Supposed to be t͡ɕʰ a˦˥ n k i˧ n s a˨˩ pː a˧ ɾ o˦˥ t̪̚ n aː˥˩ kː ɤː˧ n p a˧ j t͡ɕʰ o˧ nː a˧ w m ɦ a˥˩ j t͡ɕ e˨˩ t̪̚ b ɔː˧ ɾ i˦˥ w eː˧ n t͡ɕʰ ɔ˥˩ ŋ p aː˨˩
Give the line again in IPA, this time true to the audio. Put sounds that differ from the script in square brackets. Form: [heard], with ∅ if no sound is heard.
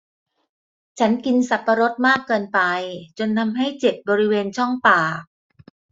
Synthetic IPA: t͡ɕʰ a˦˥ n k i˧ n s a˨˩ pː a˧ ɾ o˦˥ t̪̚ [m] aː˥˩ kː ɤː˧ n p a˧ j [t͡ɕ] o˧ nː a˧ [∅] m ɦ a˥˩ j t͡ɕ e˨˩ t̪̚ b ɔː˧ ɾ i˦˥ w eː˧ n t͡ɕʰ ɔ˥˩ ŋ p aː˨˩